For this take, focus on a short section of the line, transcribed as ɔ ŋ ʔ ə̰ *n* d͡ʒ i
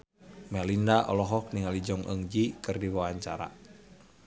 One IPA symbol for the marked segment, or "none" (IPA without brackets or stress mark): ŋ